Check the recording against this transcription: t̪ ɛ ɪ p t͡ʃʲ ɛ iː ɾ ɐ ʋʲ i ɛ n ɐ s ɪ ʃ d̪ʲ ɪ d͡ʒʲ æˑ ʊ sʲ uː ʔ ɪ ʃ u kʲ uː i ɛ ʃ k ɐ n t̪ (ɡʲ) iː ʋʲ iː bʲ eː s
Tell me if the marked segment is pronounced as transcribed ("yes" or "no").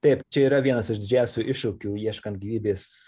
yes